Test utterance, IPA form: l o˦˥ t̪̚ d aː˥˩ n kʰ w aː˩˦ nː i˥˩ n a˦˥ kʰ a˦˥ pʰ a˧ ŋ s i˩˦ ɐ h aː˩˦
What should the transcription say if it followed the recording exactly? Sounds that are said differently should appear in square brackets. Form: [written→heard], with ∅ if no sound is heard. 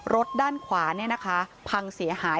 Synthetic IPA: [l→ɾ] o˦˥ t̪̚ d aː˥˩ n kʰ w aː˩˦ [nː→n] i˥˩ n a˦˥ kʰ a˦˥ pʰ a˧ ŋ s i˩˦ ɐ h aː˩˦